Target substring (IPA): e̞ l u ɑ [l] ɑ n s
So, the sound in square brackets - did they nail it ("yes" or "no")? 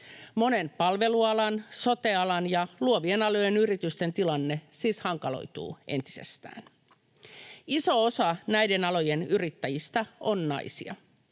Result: yes